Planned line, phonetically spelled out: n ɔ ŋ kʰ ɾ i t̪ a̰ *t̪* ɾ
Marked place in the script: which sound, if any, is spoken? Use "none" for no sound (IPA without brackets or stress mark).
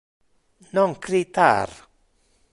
none